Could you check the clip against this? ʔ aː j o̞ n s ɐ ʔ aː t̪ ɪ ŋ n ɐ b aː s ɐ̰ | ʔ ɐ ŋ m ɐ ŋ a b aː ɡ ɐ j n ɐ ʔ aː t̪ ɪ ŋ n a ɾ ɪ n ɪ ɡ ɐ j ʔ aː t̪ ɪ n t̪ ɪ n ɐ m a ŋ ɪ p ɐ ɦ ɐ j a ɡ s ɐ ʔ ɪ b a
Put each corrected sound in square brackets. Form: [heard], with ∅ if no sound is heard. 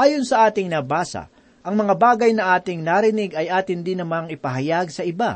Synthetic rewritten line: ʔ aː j o̞ n s ɐ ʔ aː t̪ ɪ ŋ n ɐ b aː s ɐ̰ | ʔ ɐ ŋ m ɐ ŋ a b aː ɡ ɐ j n ɐ ʔ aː t̪ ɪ ŋ n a ɾ ɪ n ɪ ɡ ɐ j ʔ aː t̪ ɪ n [d̪] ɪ n ɐ m a ŋ ɪ p ɐ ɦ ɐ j a ɡ s ɐ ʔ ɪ b a